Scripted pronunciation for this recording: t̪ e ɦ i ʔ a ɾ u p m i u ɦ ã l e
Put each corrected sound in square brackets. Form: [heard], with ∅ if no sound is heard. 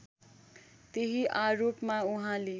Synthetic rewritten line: t̪ e ɦ i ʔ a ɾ [o] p m [a] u ɦ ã l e

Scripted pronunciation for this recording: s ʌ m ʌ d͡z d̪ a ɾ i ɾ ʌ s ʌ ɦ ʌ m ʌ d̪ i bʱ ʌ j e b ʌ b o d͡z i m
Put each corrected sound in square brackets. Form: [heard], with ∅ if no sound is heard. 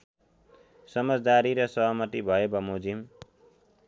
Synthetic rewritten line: s ʌ m ʌ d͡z d̪ a ɾ i ɾ ʌ s ʌ ɦ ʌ m ʌ [t̪] i bʱ ʌ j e b ʌ [m] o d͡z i m

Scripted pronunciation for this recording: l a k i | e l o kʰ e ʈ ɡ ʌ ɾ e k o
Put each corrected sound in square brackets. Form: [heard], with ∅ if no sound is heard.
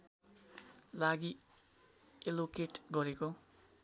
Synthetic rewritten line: l a [ɡ] i | e l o [k] e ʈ ɡ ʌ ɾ e k o

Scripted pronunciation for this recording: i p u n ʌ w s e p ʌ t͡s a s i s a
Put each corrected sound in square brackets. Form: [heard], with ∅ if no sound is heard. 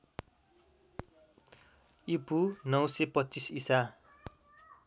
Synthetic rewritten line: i p u n ʌ w s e p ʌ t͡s [i] s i s a

